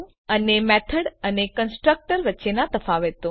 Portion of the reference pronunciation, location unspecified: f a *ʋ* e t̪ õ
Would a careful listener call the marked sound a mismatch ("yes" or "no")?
no